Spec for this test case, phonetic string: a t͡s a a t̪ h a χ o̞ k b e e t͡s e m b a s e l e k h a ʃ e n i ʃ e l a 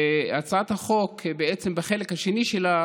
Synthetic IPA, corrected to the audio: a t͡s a a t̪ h a χ o̞ k b e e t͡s e m b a χ e l e k h a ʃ e n i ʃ e l a